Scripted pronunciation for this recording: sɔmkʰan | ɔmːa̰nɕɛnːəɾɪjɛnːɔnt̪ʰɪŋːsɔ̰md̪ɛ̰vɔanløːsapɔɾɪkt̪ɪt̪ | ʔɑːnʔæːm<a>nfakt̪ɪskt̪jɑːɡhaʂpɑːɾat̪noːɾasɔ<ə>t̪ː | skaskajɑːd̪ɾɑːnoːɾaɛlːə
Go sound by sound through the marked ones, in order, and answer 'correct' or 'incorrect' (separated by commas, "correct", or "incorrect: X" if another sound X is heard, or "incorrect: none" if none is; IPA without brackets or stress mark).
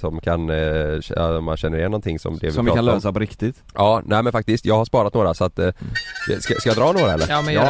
incorrect: ɛ, incorrect: a